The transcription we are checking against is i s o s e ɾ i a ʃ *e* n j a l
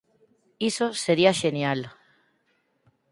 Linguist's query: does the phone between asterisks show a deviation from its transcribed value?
no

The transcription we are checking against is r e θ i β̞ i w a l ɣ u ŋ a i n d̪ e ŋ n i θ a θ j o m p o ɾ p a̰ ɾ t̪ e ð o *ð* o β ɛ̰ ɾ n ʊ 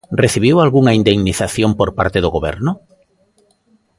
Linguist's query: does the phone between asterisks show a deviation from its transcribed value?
yes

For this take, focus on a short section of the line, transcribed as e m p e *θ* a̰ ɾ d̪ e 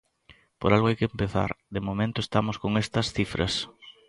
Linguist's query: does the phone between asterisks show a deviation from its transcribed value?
no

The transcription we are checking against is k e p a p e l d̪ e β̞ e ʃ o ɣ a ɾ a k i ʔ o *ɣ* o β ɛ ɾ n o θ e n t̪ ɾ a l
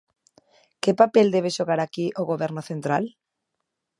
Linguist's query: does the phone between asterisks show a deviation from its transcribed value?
no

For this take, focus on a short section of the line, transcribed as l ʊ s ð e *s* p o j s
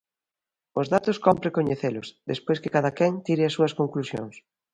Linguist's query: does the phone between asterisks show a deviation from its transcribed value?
no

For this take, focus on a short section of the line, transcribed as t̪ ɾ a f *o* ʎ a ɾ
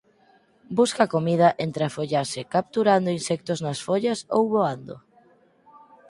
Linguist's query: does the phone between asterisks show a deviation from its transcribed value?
no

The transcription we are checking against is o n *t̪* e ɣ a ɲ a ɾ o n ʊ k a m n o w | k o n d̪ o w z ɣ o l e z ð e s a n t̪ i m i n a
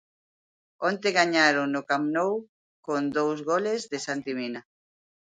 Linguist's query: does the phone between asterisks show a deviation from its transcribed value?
no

